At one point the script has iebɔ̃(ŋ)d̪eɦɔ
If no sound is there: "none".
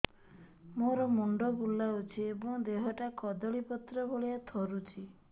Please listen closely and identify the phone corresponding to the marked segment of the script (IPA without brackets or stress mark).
ŋ